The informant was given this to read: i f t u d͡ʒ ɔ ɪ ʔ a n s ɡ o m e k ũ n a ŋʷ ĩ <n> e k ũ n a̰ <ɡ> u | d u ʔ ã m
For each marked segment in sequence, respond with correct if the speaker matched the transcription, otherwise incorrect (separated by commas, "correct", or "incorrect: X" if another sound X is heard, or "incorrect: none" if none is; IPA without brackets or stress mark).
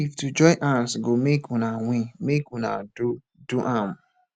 incorrect: m, incorrect: d